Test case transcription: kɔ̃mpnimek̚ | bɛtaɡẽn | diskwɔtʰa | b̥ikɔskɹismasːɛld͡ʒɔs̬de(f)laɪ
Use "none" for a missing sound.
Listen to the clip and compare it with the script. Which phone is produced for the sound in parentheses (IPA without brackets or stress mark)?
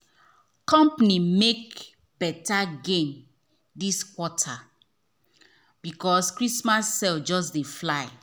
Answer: f